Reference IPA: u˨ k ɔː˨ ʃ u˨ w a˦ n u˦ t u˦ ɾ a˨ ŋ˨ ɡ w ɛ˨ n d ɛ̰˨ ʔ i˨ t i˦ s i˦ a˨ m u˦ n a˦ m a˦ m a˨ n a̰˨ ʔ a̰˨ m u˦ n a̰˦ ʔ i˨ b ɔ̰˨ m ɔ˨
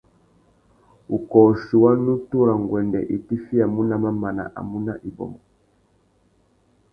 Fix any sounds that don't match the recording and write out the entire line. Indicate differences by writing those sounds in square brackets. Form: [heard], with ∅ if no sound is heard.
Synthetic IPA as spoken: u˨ k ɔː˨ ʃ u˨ w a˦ n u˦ t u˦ ɾ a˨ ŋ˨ ɡ w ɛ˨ n d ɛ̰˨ ʔ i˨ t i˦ [f] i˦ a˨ m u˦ n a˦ m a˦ m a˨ n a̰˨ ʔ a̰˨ m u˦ n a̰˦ ʔ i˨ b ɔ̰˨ m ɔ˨